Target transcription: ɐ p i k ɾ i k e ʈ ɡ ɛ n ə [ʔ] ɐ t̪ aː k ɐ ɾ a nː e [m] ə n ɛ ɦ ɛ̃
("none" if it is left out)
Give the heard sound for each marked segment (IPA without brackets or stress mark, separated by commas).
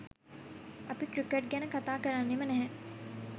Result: k, m